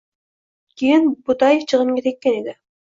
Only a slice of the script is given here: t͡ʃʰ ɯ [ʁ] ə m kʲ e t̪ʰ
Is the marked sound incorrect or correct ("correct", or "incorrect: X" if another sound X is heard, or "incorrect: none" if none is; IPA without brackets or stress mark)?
correct